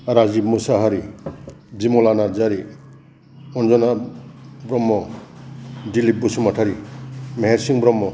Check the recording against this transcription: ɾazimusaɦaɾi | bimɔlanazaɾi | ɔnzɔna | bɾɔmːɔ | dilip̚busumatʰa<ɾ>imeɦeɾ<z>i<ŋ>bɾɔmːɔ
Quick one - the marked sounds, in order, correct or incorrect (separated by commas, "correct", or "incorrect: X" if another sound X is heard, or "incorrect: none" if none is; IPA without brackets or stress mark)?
correct, incorrect: s, correct